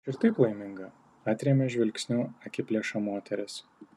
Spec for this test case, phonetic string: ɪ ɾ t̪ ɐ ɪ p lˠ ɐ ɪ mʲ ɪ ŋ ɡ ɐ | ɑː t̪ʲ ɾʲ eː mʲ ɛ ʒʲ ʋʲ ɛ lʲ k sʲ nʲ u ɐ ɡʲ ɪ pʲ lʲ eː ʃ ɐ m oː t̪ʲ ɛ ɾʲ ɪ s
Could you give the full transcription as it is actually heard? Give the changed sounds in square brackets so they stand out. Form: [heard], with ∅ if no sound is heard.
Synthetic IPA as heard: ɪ ɾ t̪ ɐ ɪ p lˠ ɐ ɪ mʲ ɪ ŋ ɡ ɐ | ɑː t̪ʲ ɾʲ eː mʲ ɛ ʒʲ ʋʲ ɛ lʲ k sʲ nʲ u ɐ [kʲ] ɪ pʲ lʲ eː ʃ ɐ m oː t̪ʲ ɛ ɾʲ ɪ s